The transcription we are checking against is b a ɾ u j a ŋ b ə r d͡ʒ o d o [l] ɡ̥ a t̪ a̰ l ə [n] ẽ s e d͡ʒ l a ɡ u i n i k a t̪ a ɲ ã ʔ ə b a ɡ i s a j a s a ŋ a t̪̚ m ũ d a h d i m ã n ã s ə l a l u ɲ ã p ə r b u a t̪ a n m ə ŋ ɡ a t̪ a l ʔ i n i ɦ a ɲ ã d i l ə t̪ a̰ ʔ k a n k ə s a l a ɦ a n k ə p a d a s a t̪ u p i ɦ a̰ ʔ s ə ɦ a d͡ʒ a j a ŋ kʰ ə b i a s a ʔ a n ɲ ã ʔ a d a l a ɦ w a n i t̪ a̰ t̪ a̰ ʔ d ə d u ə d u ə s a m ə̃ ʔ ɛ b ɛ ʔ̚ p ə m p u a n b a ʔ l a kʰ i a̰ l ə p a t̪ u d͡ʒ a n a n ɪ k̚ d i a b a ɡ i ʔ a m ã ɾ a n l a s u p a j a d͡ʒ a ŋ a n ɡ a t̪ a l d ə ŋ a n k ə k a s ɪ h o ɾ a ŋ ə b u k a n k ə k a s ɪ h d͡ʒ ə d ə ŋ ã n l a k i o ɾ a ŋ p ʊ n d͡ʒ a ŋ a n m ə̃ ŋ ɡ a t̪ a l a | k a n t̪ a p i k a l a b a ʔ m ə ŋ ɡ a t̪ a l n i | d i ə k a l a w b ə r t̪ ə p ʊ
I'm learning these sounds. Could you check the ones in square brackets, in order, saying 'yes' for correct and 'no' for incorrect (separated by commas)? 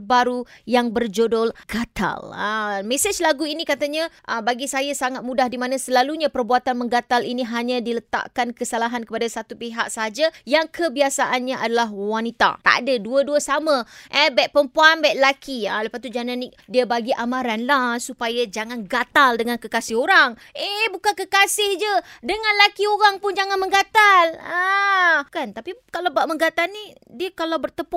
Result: yes, no